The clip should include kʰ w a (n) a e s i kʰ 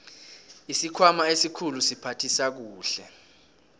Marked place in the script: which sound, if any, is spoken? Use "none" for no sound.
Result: m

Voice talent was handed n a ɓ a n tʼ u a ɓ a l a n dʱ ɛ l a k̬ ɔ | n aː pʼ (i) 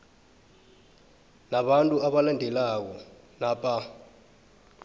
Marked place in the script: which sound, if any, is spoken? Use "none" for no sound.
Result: a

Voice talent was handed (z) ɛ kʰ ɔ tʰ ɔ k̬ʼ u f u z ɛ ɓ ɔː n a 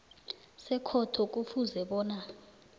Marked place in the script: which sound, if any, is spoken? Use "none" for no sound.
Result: s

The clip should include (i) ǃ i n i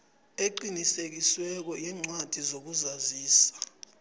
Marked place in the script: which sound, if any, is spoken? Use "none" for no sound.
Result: e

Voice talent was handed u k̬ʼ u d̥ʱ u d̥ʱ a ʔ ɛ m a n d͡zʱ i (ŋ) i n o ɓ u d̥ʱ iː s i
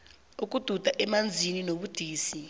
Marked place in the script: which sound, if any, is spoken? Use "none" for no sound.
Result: n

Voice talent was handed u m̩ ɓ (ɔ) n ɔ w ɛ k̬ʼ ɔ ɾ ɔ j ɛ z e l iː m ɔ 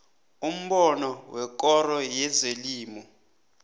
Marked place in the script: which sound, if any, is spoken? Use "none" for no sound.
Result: ɔ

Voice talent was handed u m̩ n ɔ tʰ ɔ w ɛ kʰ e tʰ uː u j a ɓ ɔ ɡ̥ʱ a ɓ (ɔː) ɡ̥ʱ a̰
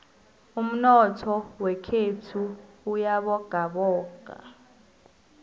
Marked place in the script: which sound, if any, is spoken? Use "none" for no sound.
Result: ɔː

